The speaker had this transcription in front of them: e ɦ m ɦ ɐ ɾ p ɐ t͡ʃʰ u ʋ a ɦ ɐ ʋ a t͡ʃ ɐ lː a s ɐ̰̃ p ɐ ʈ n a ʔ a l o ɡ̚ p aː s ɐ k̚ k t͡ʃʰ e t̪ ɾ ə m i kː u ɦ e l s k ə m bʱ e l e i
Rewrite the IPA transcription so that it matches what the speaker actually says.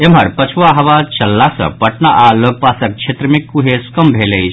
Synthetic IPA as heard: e m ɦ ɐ ɾ p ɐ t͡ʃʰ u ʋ a ɦ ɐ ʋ a t͡ʃ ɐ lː a s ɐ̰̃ p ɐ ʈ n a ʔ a l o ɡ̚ p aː s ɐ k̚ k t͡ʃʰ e t̪ ɾ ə m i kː u ɦ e s k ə m bʱ e l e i